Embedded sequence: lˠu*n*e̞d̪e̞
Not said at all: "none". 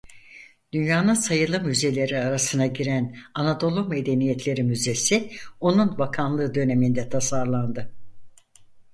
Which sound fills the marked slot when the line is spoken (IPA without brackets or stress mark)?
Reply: m